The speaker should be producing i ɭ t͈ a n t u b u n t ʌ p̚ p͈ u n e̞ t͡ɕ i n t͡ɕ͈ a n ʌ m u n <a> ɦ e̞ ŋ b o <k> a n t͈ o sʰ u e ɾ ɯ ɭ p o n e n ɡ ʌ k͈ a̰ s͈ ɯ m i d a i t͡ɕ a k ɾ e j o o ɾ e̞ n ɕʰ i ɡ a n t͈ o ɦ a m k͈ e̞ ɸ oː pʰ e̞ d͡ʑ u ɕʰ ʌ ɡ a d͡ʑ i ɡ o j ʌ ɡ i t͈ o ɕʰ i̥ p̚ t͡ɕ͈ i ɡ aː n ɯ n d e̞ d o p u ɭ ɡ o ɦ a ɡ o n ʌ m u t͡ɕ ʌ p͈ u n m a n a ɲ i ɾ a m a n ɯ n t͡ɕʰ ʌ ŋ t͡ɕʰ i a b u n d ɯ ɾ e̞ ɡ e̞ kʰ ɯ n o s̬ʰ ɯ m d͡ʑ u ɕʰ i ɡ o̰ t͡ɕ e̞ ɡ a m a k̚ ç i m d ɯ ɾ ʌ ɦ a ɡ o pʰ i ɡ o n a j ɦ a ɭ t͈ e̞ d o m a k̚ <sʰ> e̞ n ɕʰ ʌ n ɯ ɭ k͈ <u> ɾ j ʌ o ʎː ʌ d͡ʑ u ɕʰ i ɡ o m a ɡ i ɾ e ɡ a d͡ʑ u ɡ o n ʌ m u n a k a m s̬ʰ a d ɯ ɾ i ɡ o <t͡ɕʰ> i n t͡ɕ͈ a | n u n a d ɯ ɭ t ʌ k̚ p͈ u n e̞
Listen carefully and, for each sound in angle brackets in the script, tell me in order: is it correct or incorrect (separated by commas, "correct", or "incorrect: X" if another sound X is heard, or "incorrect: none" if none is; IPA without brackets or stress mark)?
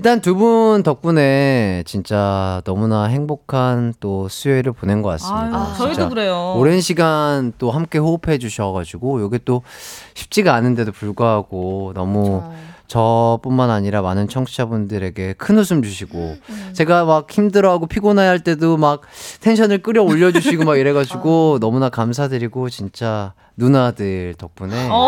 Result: correct, incorrect: kʰ, incorrect: tʰ, incorrect: ɯ, incorrect: t͡ɕ